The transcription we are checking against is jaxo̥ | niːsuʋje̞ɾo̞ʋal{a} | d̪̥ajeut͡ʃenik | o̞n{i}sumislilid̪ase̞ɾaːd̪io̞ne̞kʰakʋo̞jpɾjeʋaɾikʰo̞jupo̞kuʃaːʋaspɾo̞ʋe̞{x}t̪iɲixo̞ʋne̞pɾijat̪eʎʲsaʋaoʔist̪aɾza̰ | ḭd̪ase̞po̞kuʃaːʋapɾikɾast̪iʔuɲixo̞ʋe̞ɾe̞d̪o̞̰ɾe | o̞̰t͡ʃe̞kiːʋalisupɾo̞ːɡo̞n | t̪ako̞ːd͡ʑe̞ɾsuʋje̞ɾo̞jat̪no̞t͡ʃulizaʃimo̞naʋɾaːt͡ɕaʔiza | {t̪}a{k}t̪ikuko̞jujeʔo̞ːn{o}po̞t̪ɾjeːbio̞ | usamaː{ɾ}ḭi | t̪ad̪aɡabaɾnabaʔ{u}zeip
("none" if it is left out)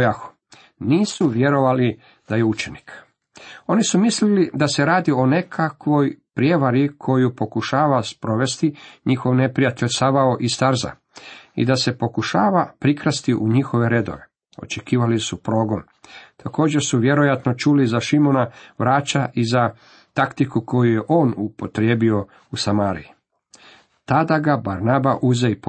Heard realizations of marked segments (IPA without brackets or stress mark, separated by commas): i, i, s, t̪, k, u, ɾ, u